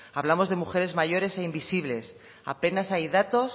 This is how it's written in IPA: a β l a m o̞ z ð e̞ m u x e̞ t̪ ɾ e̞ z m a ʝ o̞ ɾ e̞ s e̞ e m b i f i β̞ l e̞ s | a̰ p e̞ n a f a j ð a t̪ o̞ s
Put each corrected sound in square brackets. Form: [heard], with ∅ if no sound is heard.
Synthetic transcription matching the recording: a β l a m o̞ z ð e̞ m u x e̞ [∅] ɾ e̞ z m a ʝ o̞ ɾ e̞ s e̞ [i] m b i [s] i β̞ l e̞ s | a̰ p e̞ n a [s] a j ð a t̪ o̞ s